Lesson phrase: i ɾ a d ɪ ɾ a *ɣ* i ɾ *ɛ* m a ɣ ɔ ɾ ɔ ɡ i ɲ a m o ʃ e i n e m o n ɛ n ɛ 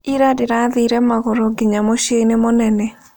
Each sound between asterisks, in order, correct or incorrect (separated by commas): incorrect, correct